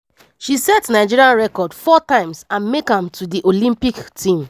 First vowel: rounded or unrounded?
unrounded